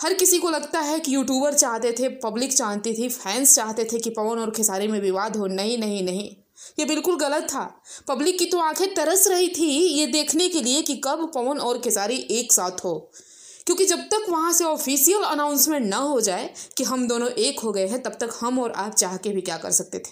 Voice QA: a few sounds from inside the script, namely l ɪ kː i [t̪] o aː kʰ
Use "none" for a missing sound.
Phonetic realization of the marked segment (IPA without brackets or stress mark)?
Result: t̪